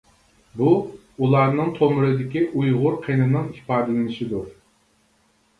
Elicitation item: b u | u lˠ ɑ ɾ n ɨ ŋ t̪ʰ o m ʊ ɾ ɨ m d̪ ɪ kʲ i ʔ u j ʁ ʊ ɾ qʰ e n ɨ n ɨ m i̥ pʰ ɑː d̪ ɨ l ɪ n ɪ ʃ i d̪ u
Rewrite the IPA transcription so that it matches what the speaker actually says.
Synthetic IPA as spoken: b u | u lˠ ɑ ɾ n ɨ ŋ t̪ʰ o m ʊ ɾ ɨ d̪ ɪ kʲ i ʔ u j ʁ ʊ ɾ qʰ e n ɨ n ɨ ŋ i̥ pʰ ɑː d̪ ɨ l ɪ n ɪ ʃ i d̪ u